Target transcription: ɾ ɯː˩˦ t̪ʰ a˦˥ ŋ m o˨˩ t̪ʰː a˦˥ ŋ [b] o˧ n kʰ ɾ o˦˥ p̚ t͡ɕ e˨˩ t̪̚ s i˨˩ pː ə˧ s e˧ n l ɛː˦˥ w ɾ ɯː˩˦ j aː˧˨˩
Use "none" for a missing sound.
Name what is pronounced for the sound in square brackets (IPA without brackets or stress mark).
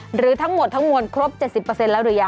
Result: m